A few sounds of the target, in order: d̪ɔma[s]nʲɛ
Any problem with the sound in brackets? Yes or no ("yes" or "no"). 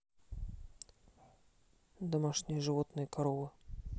yes